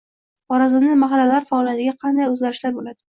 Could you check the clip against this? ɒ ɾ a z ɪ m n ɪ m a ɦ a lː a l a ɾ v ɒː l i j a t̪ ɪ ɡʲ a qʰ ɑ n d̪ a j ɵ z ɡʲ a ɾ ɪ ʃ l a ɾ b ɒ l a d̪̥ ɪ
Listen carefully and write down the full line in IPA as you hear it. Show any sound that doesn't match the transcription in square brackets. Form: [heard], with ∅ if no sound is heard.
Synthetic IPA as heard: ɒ ɾ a z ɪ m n ɪ m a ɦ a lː a l a ɾ [f] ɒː l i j a t̪ ɪ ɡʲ a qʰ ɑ n d̪ a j ɵ z ɡʲ a ɾ ɪ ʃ l a ɾ b [o] l a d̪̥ ɪ